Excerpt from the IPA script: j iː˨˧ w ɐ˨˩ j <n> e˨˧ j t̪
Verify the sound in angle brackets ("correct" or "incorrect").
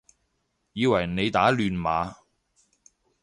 correct